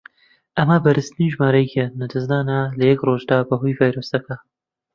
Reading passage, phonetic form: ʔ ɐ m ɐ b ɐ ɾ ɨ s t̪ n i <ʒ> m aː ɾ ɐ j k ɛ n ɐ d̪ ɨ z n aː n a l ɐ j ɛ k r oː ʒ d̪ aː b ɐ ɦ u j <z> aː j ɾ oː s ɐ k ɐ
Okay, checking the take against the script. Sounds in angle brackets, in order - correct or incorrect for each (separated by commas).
correct, incorrect